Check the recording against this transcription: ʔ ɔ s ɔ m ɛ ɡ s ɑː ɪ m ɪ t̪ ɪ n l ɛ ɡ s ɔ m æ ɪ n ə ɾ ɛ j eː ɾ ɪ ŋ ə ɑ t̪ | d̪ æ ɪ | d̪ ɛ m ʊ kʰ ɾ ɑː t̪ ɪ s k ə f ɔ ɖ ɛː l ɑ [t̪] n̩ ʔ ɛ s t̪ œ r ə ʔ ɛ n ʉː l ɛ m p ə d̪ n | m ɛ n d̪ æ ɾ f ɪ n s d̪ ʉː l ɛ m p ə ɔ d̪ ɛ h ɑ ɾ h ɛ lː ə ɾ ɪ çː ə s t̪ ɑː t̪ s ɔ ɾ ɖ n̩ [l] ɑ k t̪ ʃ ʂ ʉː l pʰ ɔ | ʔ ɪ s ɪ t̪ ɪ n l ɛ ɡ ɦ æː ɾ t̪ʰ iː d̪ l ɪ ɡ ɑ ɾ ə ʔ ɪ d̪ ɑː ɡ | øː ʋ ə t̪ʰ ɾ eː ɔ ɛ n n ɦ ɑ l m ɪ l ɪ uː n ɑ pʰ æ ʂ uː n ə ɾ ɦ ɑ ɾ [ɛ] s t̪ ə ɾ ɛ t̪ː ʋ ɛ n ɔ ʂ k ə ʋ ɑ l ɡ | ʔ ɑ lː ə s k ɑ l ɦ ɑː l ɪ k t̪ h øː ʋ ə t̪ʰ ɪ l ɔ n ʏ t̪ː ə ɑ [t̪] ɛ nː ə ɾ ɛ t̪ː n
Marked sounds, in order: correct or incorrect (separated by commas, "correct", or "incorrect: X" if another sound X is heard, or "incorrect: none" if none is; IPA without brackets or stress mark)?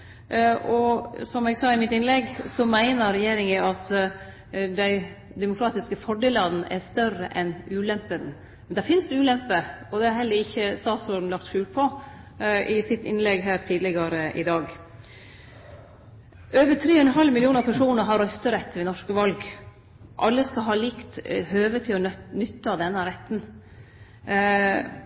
incorrect: d̪, correct, incorrect: œ, incorrect: d̪